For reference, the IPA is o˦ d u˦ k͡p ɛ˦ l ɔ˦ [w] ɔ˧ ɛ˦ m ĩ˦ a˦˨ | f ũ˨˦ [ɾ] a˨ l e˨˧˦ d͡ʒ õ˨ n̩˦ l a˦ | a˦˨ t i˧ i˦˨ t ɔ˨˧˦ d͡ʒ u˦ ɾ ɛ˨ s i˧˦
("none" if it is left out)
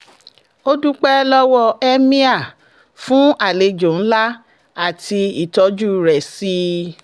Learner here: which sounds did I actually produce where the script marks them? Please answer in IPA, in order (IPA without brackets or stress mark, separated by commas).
w, none